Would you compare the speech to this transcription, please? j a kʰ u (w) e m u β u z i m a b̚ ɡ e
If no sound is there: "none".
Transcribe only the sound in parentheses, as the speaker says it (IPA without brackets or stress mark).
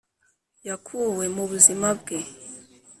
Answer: w